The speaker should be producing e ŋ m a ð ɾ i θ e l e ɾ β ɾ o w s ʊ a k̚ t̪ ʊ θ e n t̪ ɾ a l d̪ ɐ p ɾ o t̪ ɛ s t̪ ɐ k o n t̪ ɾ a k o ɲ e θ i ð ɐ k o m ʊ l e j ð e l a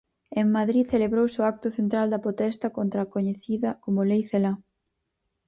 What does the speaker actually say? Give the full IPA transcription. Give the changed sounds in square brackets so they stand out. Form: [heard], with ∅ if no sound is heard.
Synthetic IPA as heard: e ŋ m a ð ɾ i θ e l e [∅] β ɾ o w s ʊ a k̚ t̪ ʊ θ e n t̪ ɾ a l d̪ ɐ p ɾ o t̪ ɛ s t̪ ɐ k o n t̪ ɾ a k o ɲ e θ i ð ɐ k o m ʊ l e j [θ] e l a